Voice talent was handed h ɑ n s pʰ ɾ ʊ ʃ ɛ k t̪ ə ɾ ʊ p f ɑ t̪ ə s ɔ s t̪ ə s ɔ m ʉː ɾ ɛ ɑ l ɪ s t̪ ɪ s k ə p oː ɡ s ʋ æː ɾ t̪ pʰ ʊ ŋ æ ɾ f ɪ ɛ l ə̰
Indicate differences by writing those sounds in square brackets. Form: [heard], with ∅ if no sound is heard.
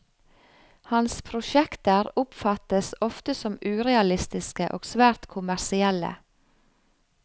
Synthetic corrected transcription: h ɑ n s pʰ ɾ ʊ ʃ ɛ k t̪ ə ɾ ʊ p f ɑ t̪ ə s ɔ [f] t̪ ə s ɔ m ʉː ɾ ɛ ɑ l ɪ s t̪ ɪ s k ə [ʔ] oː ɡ s ʋ æː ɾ t̪ [kʰ] ʊ [m] æ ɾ [s] ɪ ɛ l ə̰